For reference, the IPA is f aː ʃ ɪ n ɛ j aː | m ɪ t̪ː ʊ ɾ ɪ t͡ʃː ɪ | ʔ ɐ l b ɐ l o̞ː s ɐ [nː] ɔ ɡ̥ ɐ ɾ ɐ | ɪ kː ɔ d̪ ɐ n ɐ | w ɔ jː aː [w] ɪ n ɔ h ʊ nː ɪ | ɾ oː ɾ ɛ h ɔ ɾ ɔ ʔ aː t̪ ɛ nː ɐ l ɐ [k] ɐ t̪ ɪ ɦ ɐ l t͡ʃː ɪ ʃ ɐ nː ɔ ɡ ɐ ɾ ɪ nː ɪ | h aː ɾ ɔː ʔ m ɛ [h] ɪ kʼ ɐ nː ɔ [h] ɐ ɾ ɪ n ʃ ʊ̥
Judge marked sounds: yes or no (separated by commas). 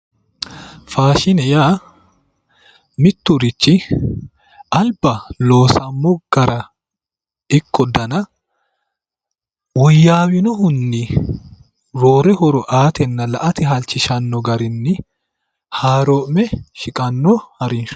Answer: no, yes, no, no, yes